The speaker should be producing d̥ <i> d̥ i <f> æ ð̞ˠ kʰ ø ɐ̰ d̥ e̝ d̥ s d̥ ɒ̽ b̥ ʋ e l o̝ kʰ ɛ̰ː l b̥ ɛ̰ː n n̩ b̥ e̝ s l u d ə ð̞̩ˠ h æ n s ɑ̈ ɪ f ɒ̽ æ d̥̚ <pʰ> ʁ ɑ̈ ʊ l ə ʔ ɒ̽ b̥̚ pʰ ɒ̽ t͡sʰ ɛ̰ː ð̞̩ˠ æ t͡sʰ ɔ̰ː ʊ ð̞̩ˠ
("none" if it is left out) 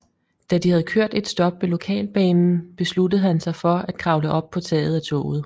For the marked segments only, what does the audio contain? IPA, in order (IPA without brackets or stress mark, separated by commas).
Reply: æ, h, kʰ